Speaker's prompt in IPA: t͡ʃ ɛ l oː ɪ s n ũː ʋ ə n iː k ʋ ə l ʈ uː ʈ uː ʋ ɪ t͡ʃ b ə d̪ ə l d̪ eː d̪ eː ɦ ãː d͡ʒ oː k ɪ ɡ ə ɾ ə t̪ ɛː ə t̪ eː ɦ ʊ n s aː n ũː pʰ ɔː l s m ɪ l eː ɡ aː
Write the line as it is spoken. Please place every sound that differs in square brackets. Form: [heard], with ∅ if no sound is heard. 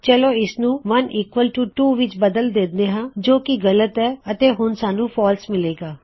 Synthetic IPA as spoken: t͡ʃ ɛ l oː ɪ s n ũː ʋ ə n iː k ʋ ə l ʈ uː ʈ uː ʋ ɪ t͡ʃ b ə d̪ ə l d̪ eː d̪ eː ɦ ãː d͡ʒ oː k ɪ ɡ ə [l] ə t̪ ɛː ə t̪ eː ɦ ʊ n s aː n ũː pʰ ɔː l s m ɪ l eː ɡ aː